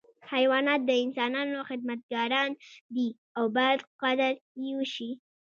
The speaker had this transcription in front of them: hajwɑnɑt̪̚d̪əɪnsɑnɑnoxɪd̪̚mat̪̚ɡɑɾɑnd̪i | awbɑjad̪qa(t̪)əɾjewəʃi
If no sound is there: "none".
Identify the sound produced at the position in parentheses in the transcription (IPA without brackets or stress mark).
d̪